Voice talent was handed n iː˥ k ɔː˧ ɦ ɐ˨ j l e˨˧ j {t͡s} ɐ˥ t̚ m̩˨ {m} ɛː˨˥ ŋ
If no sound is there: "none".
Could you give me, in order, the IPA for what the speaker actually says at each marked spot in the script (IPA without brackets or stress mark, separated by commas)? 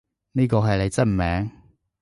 t͡s, m